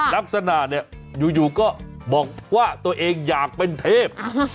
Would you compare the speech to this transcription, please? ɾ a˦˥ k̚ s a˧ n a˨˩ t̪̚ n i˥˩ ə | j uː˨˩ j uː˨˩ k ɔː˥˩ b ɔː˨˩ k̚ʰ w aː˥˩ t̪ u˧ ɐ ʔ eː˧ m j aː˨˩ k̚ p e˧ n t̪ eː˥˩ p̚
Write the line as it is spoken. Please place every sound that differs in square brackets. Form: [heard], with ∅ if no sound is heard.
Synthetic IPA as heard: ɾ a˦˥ k̚ s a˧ n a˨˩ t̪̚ n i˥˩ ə | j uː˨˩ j uː˨˩ k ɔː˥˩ b ɔː˨˩ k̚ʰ w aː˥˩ t̪ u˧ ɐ ʔ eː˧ [ŋ] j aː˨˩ k̚ p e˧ n [t̪ʰ] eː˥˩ p̚